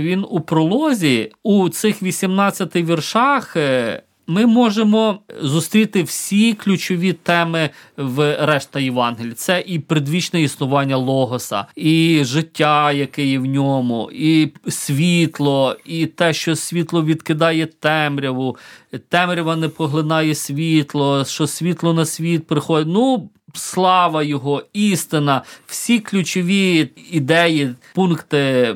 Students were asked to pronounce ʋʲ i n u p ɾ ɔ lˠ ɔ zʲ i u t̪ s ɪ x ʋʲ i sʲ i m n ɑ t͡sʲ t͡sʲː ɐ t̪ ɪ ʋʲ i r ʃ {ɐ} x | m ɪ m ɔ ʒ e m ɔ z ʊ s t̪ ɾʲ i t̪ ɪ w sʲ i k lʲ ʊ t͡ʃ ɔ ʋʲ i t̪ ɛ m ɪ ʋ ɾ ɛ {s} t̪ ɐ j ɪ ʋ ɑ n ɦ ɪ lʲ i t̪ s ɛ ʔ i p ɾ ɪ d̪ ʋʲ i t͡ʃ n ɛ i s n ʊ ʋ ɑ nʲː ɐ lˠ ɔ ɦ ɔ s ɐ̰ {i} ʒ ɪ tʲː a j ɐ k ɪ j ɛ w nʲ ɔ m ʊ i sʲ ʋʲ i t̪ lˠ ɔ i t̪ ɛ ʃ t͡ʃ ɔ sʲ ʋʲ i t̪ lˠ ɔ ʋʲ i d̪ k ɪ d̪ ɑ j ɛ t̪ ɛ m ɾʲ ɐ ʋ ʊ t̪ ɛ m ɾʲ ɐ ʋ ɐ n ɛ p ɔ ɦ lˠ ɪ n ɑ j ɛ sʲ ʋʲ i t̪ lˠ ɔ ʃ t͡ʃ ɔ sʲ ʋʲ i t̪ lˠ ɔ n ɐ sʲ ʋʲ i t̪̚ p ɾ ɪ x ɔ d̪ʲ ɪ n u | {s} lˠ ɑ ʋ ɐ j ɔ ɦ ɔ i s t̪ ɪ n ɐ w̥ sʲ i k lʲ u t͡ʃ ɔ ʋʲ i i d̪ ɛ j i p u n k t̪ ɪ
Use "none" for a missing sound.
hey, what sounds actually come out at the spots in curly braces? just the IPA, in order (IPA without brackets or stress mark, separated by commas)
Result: ɑ, ʃ, i, s